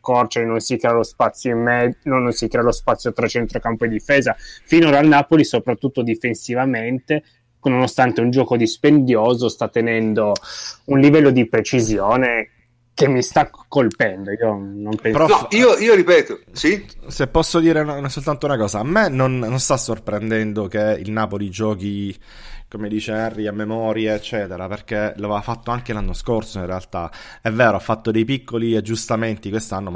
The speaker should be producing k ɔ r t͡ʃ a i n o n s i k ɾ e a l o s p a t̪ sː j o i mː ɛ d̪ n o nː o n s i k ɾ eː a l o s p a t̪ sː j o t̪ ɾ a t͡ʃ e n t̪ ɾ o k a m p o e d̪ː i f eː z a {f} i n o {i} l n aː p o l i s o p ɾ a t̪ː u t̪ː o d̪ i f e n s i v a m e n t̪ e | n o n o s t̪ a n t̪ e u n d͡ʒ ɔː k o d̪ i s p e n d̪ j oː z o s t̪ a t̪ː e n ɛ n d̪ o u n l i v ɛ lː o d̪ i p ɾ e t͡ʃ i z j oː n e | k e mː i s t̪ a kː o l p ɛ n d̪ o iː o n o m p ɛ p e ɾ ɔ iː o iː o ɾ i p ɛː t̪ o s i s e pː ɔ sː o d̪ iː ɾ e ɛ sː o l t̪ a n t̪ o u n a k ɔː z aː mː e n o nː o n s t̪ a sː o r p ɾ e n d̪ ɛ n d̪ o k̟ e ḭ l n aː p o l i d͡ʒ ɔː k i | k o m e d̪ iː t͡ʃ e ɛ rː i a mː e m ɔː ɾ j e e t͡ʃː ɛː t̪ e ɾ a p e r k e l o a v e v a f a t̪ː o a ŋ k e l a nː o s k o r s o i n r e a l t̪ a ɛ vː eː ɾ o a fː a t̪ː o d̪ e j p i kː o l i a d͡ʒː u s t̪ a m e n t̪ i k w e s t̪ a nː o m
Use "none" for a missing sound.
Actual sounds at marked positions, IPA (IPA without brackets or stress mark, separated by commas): f, a